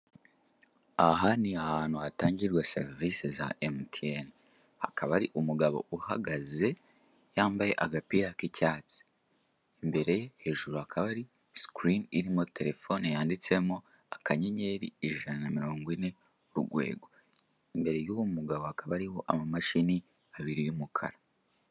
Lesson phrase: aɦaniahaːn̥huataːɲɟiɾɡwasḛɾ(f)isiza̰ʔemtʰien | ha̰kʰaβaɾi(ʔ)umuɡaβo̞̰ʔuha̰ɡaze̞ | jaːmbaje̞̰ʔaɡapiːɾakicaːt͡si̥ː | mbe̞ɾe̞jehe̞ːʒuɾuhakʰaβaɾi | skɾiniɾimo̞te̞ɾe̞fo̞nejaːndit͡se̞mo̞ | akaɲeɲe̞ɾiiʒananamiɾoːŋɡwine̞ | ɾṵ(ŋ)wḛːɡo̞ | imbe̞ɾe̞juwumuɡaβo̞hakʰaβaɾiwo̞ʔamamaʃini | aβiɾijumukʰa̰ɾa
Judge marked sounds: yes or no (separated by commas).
no, yes, no